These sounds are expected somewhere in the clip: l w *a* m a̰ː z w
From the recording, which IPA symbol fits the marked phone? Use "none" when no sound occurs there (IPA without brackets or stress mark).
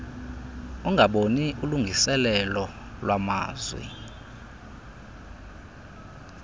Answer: a